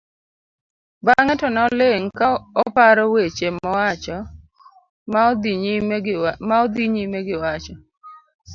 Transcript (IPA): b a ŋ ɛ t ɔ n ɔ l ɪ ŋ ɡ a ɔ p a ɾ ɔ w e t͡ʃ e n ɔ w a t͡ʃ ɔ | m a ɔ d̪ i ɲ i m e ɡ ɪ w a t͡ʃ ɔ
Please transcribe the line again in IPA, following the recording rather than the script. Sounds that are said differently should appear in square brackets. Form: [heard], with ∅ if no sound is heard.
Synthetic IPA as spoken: b a ŋ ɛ t ɔ n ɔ l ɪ ŋ [k] a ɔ p a ɾ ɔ w e t͡ʃ e [m] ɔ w a t͡ʃ ɔ | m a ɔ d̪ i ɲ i m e ɡ ɪ w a t͡ʃ ɔ